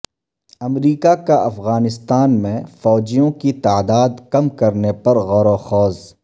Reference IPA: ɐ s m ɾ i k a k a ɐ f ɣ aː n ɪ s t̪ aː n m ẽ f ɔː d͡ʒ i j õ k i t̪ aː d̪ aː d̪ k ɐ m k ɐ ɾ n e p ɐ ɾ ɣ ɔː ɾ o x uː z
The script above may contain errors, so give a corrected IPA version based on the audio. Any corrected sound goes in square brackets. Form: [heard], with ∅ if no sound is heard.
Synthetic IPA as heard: ɐ [∅] m ɾ [iː] k a k a ɐ f ɣ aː n ɪ s t̪ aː n m ẽ f ɔː d͡ʒ i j õ k i t̪ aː d̪ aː d̪ k ɐ m k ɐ ɾ n e p ɐ ɾ ɣ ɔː ɾ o x [ɔː] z